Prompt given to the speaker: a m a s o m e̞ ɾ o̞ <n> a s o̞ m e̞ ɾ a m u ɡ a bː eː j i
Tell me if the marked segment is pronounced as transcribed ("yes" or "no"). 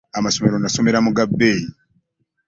yes